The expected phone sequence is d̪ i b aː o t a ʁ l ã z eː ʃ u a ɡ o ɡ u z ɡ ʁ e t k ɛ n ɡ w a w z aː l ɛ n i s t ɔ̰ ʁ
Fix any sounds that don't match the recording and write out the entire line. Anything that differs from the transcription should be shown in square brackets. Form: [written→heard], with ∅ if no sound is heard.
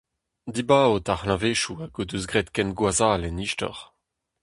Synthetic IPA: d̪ i b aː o t a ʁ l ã [z→v] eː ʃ u a ɡ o [ɡ→d] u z ɡ ʁ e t k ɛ n ɡ w a [w→∅] z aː l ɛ n i [s→ʃ] t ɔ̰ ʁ